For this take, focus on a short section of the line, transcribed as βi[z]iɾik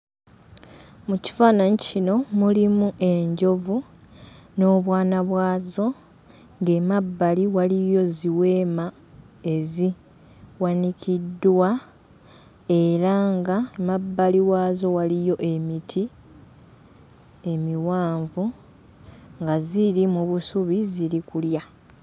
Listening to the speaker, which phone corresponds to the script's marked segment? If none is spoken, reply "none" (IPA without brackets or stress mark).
z